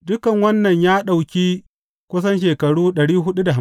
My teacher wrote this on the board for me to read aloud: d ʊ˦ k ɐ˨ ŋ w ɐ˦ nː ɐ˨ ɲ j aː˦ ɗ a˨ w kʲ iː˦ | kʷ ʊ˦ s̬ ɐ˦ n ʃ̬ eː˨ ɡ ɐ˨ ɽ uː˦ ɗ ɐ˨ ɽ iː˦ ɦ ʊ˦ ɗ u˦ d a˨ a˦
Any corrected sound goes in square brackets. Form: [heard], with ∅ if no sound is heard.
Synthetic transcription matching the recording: d ʊ˦ k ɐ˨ ŋ w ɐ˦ nː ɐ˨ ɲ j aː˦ ɗ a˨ w kʲ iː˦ | kʷ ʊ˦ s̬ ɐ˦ n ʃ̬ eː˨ [k] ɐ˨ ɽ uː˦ ɗ ɐ˨ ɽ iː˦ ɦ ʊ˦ ɗ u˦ d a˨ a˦

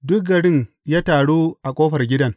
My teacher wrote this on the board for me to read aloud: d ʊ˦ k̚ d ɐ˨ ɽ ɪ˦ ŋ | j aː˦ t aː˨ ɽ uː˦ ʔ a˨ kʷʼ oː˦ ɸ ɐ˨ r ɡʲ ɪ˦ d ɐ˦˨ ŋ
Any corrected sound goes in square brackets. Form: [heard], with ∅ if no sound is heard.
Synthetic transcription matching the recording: d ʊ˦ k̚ [ɡ] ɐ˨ ɽ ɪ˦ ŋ | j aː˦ t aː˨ ɽ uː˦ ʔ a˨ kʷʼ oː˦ ɸ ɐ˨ r ɡʲ ɪ˦ d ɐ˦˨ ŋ

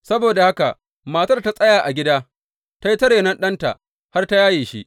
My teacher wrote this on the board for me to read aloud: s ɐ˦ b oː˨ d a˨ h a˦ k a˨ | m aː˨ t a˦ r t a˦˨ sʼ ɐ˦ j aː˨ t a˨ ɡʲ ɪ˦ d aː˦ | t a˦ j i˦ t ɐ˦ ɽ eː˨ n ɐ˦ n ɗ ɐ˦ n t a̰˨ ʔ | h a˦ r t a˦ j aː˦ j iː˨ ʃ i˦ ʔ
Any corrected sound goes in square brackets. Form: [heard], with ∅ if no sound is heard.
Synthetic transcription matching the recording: s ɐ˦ b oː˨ d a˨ h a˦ k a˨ | m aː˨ t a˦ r t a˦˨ sʼ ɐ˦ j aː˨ [ʔ] a˨ ɡʲ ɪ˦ d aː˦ | t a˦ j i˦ t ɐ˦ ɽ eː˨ n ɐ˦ n ɗ ɐ˦ n t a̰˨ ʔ | h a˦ r t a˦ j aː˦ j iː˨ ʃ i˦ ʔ

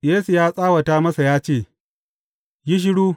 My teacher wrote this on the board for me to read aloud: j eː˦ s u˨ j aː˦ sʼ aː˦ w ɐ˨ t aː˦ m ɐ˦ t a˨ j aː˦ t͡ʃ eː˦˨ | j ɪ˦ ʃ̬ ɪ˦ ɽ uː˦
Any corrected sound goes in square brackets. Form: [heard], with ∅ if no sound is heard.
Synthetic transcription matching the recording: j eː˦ s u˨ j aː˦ sʼ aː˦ w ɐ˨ t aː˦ m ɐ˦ [s] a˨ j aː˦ t͡ʃ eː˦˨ | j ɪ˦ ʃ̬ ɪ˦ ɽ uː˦

